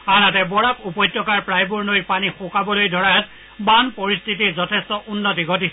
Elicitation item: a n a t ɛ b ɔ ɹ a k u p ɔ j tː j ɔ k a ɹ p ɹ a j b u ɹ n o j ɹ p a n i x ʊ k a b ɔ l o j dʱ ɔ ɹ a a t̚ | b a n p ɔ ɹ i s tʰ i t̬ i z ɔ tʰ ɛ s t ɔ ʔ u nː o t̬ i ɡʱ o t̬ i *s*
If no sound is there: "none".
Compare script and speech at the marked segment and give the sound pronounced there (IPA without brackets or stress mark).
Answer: s